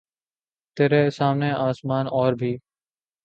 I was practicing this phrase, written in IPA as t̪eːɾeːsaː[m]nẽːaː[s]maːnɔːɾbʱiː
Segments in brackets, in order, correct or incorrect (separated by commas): correct, correct